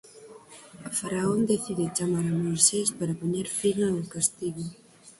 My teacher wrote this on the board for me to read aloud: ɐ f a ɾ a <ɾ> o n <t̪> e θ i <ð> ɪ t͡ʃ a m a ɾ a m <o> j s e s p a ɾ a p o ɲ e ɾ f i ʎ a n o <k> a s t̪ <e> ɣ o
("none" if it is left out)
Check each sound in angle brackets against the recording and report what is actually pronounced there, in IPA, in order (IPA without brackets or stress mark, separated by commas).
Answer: none, d̪, ð, o, k, i